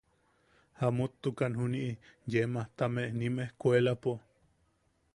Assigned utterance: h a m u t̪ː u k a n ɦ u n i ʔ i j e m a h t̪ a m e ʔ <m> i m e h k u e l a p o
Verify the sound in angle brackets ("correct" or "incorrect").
incorrect